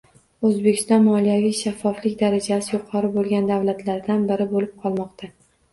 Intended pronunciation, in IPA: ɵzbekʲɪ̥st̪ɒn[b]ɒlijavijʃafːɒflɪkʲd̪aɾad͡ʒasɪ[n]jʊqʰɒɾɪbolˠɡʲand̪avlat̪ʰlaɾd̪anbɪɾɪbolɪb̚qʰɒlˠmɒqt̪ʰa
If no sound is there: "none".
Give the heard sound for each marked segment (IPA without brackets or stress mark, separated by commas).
m, none